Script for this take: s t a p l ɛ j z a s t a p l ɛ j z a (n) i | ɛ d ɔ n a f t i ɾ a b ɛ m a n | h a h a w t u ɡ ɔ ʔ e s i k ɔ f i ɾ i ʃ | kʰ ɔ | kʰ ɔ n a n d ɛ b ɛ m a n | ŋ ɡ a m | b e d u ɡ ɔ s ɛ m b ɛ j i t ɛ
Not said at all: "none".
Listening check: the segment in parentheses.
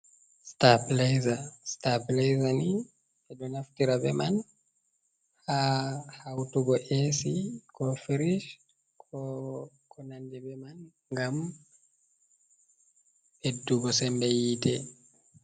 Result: n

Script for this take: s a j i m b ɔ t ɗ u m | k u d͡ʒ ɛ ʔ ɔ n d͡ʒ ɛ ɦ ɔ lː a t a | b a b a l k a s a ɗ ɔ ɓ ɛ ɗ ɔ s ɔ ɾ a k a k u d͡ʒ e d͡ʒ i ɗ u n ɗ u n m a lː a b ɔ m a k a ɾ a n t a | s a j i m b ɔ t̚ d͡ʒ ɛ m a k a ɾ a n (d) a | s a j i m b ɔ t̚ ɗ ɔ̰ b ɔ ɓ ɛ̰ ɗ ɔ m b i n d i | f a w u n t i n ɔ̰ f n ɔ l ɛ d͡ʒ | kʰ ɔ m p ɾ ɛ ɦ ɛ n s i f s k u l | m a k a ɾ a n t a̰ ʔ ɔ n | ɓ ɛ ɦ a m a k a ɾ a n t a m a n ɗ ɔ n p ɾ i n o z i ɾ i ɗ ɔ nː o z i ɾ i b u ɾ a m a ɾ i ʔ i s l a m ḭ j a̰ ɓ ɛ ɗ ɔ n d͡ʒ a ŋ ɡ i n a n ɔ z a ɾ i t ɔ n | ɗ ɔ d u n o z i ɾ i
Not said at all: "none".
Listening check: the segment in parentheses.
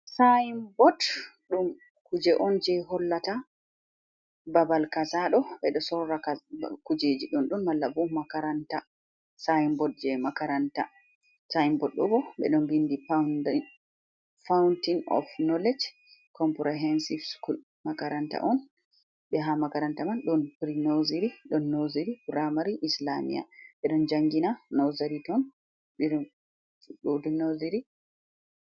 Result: t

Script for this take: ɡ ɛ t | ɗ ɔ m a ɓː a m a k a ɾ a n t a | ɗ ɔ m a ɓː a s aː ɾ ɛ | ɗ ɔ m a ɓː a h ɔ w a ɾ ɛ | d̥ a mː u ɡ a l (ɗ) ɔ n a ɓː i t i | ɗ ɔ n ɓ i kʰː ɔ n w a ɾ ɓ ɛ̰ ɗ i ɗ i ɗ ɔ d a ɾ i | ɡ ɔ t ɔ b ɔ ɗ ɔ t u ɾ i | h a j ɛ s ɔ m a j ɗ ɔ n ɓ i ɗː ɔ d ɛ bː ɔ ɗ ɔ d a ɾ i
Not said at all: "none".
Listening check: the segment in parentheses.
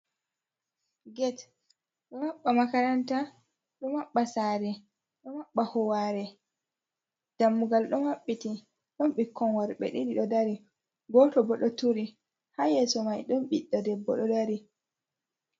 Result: ɗ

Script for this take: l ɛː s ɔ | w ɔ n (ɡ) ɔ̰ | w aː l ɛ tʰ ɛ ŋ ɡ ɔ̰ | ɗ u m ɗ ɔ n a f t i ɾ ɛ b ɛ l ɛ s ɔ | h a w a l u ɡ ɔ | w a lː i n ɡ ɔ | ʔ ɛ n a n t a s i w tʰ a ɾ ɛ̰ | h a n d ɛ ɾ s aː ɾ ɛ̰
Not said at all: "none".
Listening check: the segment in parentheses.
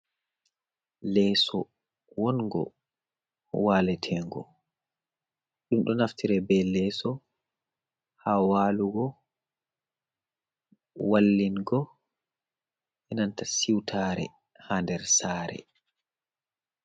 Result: ɡ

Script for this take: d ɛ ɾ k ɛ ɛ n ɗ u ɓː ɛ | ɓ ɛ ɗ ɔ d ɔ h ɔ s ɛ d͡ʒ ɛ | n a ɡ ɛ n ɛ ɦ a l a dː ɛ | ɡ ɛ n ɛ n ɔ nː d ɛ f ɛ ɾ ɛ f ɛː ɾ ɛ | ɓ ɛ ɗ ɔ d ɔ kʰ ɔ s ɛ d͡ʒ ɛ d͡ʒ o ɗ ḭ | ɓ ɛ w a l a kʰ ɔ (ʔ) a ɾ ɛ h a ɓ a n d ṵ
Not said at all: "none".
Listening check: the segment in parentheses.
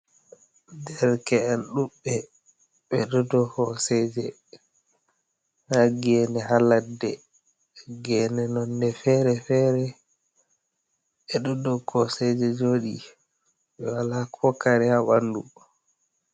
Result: k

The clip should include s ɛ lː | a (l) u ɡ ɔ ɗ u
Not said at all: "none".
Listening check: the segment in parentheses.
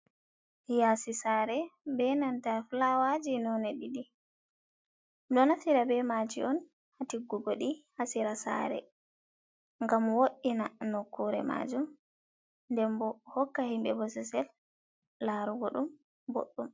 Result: ɾ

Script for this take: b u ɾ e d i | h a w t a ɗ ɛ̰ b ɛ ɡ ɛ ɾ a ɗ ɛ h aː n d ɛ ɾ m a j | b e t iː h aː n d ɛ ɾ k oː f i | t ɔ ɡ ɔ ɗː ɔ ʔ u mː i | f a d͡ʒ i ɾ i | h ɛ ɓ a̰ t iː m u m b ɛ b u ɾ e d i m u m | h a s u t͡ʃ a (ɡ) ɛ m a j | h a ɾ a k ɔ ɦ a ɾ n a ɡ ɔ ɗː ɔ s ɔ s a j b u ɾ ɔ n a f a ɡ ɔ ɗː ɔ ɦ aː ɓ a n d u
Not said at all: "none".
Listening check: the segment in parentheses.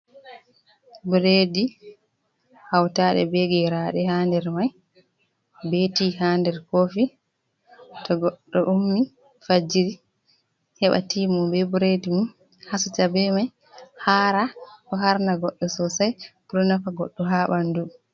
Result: b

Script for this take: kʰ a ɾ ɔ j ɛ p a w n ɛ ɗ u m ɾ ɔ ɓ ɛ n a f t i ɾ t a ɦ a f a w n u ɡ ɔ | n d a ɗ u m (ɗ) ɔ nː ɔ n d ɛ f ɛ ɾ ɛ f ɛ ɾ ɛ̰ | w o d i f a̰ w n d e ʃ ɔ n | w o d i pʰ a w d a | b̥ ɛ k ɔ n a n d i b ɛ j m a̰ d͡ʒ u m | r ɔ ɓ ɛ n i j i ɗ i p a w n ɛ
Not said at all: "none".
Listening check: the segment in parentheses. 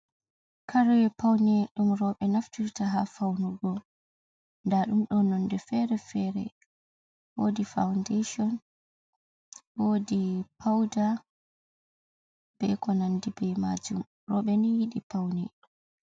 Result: ɗ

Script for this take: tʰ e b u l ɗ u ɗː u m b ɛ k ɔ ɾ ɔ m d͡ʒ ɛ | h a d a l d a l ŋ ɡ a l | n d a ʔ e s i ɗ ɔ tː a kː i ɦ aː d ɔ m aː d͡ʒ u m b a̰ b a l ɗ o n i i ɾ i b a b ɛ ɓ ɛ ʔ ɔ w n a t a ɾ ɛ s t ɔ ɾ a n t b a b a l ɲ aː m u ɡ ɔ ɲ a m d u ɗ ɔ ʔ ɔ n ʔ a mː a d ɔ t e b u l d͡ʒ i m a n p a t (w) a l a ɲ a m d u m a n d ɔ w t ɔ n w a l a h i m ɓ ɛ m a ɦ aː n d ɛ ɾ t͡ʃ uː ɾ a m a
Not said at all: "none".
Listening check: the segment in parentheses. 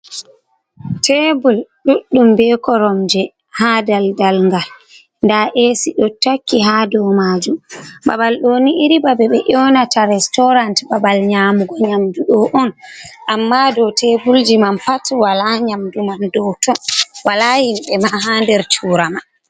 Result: w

